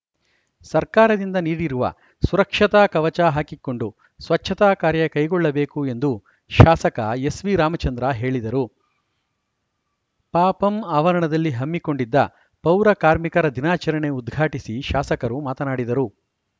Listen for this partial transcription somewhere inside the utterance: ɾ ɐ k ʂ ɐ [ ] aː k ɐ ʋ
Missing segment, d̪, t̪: t̪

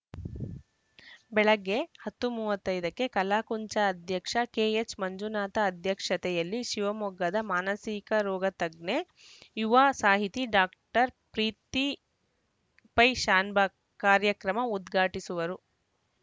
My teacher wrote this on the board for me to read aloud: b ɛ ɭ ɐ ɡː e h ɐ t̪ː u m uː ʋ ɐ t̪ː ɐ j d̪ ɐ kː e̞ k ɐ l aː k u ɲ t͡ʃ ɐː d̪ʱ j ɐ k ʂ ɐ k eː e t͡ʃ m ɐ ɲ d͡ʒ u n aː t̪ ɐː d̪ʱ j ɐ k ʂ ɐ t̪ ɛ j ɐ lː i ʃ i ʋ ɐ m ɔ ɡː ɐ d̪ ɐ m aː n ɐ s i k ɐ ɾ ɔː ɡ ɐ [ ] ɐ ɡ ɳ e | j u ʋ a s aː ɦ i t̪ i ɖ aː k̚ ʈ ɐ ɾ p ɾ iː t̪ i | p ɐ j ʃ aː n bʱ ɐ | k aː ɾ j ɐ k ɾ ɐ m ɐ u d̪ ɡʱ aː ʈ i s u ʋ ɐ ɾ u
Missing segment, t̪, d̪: t̪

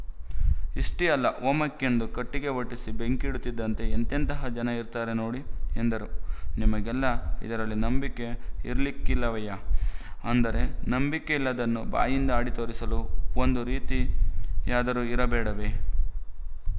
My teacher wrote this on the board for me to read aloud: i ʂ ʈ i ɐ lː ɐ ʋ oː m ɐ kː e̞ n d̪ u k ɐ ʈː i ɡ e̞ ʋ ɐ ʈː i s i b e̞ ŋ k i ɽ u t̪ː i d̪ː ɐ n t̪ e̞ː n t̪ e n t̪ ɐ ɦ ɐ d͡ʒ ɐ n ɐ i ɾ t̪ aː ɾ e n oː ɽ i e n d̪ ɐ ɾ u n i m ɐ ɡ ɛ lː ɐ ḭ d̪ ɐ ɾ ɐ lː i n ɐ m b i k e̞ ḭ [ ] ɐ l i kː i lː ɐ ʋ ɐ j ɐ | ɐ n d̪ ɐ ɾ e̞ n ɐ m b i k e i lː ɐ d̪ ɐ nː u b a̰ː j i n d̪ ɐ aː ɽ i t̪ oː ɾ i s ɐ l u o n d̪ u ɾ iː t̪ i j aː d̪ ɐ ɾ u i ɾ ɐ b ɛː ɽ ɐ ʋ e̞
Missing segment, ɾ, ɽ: ɾ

